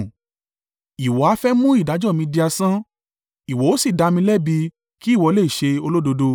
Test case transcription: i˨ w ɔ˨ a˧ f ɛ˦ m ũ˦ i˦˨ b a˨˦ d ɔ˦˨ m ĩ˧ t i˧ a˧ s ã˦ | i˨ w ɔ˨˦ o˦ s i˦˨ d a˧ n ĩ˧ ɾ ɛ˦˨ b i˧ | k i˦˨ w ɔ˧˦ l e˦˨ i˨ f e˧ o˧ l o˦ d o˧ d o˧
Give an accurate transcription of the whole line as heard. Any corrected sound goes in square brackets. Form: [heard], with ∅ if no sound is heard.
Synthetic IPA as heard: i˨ w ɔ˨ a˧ f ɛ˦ m ũ˦ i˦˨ [d] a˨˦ [d͡ʒ] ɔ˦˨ m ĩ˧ [d] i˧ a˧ s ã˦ | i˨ w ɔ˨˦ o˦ s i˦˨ d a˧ [m] ĩ˧ [l] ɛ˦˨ b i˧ | k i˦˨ w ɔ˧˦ l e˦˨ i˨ [ʃ] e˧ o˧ l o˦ d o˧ d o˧